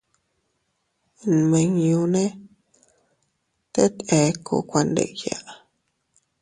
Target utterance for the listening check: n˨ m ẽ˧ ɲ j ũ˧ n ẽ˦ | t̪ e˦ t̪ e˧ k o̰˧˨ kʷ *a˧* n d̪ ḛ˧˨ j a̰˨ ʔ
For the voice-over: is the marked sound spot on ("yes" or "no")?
yes